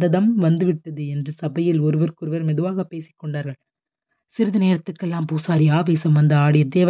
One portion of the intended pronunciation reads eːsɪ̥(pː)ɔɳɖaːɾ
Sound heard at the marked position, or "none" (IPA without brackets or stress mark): kː